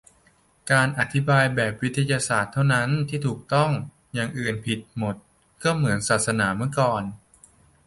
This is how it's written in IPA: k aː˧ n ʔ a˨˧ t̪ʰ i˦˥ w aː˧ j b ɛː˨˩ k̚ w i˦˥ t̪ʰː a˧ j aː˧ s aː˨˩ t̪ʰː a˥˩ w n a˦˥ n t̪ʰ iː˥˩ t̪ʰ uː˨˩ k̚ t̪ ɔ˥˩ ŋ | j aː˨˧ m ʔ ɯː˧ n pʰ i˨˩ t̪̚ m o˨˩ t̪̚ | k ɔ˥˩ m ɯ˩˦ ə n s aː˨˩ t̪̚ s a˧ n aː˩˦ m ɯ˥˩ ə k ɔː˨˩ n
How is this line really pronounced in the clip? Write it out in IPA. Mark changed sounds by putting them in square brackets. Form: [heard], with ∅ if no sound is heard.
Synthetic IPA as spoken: k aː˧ n ʔ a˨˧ t̪ʰ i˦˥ [b] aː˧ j b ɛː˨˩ [p̚] w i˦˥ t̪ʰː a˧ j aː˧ s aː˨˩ t̪ʰː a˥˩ w n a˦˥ n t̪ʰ iː˥˩ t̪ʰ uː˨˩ k̚ t̪ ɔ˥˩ ŋ | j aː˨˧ [ŋ] ʔ [ɯː˨˩] n pʰ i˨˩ t̪̚ m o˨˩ t̪̚ | k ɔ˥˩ m ɯ˩˦ ə n s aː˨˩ t̪̚ s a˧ n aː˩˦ m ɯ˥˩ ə k ɔː˨˩ n